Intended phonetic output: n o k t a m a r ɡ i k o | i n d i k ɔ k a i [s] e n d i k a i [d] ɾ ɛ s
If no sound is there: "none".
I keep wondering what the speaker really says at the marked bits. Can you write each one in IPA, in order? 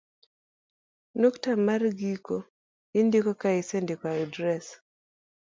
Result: s, d

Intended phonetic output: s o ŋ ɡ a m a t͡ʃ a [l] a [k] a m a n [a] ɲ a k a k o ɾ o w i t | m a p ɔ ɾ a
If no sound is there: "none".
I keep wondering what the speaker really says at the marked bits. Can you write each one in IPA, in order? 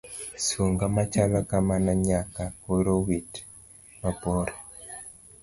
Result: l, k, a

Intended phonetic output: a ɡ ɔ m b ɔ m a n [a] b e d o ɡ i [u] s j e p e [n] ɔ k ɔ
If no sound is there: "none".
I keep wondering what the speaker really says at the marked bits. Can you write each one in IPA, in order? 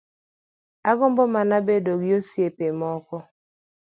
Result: a, o, m

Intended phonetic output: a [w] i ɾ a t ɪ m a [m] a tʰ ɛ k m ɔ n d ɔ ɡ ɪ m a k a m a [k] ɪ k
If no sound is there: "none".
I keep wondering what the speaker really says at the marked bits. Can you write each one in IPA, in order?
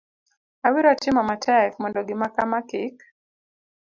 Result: w, m, k

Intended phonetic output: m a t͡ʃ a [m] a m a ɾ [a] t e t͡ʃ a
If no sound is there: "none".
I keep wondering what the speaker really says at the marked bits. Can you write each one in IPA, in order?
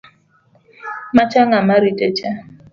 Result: ŋ, i

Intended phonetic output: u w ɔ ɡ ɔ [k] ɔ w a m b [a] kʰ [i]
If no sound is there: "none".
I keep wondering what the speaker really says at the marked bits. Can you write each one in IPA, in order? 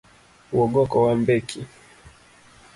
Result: k, ɛ, i

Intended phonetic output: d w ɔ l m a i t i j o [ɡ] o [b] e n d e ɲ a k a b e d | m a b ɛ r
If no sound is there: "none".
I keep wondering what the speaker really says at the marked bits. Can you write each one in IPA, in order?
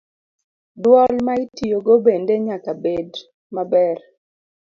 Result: ɡ, b

